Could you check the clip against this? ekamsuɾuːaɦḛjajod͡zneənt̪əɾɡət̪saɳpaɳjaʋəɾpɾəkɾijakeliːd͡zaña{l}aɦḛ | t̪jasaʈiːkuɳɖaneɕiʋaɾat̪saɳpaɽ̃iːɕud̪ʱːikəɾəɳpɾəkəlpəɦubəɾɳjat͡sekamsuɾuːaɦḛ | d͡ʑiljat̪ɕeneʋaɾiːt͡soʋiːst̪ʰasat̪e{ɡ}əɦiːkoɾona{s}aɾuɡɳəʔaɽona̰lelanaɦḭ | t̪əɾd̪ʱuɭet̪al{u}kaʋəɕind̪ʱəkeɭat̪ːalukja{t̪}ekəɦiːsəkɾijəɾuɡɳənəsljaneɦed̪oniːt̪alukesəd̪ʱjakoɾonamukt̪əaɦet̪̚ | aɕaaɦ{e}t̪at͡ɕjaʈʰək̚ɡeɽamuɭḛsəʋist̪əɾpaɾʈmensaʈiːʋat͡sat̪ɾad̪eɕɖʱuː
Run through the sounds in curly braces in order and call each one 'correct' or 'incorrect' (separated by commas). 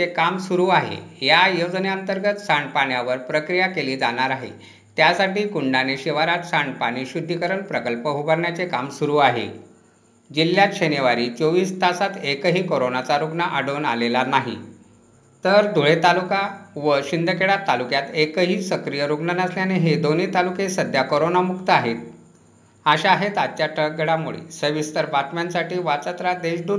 incorrect, incorrect, incorrect, correct, correct, correct